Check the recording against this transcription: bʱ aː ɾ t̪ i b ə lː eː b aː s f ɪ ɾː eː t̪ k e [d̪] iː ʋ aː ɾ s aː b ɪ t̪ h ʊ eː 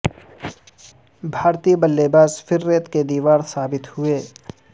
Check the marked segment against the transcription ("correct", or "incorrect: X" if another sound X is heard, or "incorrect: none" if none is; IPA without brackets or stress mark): correct